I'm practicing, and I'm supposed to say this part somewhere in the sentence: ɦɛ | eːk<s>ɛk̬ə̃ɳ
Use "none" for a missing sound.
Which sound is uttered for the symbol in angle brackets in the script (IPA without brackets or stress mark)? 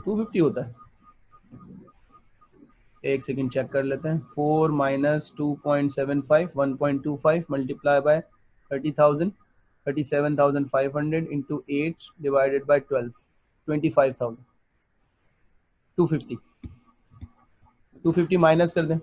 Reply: s